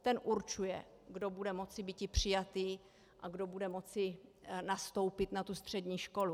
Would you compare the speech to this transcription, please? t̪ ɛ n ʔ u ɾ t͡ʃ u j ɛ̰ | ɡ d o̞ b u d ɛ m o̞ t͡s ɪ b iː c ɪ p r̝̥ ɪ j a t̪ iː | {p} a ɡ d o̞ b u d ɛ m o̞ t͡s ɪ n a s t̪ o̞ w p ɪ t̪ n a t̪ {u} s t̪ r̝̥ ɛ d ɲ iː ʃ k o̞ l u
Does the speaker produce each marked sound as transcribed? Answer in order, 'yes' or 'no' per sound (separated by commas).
no, yes